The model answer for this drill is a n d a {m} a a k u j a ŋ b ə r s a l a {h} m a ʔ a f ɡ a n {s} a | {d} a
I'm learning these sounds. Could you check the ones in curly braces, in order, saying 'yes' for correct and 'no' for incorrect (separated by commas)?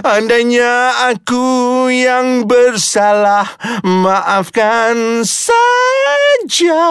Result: no, yes, yes, no